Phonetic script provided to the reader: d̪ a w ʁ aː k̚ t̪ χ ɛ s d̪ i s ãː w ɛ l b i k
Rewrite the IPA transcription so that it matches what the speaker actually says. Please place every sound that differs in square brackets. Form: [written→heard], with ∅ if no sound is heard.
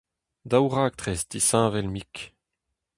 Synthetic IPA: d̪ a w ʁ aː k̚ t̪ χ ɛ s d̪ i s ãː [w→v] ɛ l [b→m] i k